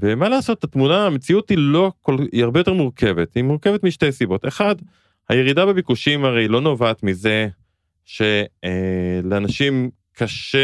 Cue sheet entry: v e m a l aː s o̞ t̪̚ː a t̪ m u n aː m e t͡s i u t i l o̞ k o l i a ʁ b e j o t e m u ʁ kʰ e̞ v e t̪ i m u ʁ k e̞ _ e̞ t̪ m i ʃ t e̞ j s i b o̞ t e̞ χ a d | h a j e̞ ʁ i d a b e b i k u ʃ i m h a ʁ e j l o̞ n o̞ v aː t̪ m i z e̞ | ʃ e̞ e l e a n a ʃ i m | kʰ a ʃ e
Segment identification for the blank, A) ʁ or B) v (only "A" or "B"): B